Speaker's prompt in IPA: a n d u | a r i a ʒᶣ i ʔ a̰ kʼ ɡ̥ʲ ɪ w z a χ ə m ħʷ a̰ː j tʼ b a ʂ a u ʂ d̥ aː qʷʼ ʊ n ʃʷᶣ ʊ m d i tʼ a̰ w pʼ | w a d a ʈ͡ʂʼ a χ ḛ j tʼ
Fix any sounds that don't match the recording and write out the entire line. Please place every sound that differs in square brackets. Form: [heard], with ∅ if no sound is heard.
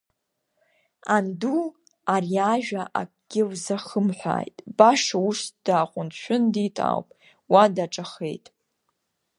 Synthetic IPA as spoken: a n d u | a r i a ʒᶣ [a] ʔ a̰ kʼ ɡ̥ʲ ɪ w z a χ ə m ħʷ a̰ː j tʼ b a ʂ a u ʂ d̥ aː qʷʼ ʊ n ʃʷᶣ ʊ [n] d i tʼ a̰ w pʼ | w a d a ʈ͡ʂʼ a χ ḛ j tʼ